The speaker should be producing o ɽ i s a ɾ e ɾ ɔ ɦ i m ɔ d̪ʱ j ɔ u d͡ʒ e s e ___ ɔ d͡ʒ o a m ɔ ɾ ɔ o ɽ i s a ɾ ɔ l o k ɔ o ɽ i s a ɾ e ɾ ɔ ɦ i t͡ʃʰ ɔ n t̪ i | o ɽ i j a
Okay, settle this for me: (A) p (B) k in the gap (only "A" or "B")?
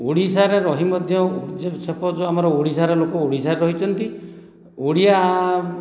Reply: A